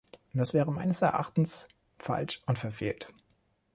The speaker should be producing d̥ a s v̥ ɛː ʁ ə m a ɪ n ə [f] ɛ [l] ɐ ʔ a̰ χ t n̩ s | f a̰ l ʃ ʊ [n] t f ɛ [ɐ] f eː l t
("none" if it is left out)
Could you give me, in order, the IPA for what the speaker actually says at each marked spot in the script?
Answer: s, none, n, ɐ

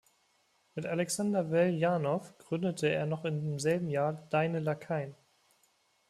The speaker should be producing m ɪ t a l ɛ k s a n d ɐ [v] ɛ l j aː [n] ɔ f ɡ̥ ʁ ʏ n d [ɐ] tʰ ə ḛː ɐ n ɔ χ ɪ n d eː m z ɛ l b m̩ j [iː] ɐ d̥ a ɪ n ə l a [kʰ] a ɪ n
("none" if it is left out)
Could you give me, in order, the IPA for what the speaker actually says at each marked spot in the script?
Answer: v, n, ə, aː, kʰ

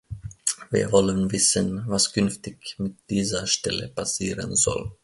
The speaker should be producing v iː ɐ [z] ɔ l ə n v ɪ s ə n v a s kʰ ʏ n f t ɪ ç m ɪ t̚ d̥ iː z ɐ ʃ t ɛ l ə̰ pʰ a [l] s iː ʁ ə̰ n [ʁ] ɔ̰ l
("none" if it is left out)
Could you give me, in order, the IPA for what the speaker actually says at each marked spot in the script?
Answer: v, none, z

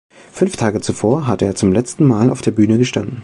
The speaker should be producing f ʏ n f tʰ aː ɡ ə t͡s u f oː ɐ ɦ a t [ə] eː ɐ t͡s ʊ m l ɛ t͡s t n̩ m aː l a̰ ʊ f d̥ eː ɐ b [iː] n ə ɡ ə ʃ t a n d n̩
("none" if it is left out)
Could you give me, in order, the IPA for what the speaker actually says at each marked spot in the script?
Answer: ə, yː

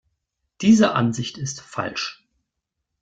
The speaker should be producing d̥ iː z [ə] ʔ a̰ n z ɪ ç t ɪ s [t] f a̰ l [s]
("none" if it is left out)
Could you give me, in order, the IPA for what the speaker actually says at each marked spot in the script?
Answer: ə, t, ʃ

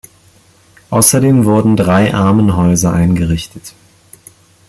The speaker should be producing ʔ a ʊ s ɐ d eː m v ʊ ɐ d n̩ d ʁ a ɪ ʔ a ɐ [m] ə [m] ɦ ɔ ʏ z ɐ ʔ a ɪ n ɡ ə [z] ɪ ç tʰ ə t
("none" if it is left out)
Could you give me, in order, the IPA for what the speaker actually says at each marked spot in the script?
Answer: m, n, ʁ

